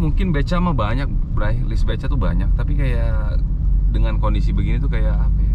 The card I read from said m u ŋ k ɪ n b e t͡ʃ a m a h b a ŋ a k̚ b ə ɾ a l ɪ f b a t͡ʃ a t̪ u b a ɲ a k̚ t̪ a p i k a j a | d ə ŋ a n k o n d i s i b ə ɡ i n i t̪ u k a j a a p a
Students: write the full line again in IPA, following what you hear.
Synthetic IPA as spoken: m u ŋ k ɪ n b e t͡ʃ a m a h b a ɲ a k̚ b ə ɾ a l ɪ s b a t͡ʃ a t̪ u b a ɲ a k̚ t̪ a p i k a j a | d ə ŋ a n k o n d i s i b ə ɡ i n i t̪ u k a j a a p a